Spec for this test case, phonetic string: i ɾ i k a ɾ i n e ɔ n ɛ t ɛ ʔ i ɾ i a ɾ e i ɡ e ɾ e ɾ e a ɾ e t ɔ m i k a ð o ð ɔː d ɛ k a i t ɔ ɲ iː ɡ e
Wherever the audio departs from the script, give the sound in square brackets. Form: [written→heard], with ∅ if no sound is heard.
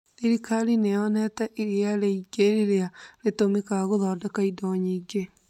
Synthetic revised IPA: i ɾ i k a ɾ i n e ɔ n ɛ t ɛ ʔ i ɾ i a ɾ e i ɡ e ɾ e ɾ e a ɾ e t [ɔ→o] m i k a [ð→ɣ] o ð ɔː d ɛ k a i [t→d] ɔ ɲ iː ɡ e